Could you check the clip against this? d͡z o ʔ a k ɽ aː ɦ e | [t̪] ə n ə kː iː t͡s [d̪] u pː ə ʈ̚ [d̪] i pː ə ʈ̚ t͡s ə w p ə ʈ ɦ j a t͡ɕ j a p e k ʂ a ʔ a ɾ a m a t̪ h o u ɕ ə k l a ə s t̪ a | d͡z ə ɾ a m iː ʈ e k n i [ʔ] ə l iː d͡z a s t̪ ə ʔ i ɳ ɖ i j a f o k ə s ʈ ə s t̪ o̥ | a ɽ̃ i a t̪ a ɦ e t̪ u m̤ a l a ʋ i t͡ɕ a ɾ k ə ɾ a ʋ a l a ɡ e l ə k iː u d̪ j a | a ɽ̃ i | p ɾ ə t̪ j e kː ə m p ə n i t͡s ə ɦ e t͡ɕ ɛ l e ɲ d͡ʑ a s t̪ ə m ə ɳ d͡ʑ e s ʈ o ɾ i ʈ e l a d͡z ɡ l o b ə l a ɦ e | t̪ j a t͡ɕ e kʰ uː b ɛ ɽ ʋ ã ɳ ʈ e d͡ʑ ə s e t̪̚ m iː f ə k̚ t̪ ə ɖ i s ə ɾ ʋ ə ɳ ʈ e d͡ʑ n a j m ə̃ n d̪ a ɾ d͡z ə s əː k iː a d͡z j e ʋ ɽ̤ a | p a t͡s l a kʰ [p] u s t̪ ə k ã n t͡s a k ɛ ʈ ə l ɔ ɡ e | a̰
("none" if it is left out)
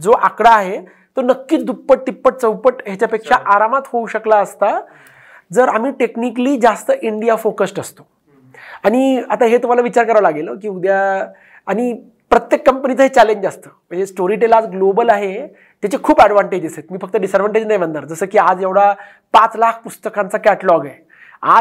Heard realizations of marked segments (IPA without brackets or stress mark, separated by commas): t̪, d̪, t̪, k, p